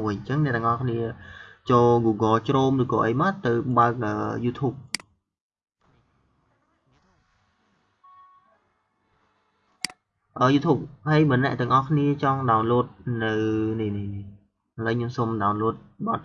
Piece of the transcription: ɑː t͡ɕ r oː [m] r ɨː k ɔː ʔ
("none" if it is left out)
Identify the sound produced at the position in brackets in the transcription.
m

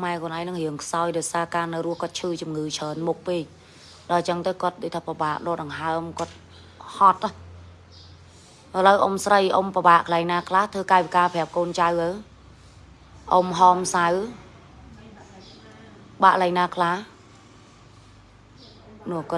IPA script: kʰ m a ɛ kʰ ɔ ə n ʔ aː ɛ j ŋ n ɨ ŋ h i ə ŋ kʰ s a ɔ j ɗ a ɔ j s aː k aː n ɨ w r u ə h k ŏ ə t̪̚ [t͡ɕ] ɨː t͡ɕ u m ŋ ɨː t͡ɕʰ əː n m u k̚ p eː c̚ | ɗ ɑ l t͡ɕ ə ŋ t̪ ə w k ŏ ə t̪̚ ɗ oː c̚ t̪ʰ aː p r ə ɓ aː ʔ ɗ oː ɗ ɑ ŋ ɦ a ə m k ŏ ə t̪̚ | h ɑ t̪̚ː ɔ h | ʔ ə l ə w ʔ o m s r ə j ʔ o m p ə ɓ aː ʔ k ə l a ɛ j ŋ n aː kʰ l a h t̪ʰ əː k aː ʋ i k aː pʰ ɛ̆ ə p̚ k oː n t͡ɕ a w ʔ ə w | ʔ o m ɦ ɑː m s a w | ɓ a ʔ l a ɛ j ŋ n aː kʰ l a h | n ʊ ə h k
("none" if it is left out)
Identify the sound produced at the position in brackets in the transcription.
t͡ɕʰ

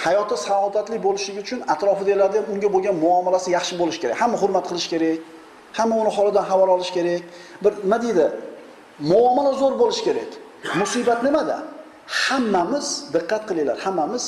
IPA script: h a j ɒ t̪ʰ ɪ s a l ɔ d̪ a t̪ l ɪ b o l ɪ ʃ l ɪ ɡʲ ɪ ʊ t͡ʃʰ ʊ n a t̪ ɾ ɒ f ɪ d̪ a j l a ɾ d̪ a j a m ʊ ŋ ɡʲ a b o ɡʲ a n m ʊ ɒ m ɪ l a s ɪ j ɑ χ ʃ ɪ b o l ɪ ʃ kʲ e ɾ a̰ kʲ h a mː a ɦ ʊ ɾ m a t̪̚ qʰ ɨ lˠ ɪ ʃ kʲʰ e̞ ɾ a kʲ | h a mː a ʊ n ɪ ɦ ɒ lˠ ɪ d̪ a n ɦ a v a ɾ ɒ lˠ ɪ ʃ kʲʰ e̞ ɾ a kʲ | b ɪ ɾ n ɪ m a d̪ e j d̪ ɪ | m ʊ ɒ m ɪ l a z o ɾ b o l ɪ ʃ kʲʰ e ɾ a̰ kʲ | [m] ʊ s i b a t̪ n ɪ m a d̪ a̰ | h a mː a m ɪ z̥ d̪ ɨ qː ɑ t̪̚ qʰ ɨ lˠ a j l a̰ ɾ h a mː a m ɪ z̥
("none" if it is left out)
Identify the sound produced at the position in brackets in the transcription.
m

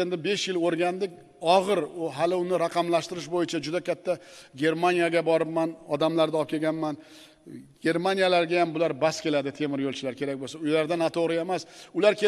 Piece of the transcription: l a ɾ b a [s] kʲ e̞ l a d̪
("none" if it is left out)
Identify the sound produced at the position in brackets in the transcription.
s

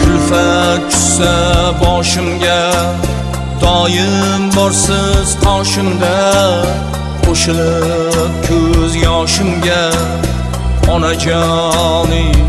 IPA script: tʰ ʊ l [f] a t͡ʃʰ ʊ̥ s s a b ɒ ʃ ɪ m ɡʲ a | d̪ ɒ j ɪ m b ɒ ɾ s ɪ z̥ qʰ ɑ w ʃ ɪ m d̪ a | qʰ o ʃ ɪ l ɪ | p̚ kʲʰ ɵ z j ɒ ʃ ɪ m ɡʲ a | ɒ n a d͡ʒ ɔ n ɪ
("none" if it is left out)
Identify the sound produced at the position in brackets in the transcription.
f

